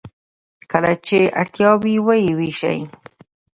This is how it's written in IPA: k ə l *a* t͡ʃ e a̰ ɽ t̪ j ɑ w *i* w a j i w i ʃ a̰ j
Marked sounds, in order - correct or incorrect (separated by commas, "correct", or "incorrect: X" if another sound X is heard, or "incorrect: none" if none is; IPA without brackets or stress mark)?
correct, correct